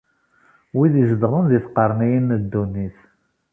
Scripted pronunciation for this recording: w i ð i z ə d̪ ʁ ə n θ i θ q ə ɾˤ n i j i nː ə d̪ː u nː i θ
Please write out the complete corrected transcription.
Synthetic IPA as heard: w i ð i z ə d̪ ʁ ə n ð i θ q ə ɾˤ n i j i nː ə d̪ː u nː i θ